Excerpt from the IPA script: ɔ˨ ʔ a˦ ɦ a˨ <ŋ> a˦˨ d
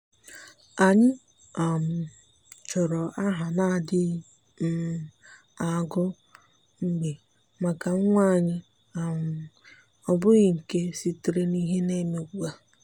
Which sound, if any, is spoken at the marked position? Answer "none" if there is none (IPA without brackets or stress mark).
n